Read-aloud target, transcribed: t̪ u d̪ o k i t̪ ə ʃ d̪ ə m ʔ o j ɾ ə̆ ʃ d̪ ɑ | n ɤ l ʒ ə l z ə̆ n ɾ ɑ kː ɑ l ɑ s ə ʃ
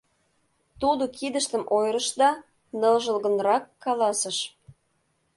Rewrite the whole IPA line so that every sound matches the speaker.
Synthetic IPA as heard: t̪ u d̪ o k i d̪ ə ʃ t̪ ə m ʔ o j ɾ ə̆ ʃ d̪ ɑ | n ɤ l ʒ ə l ɣ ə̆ n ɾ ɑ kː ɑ l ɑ s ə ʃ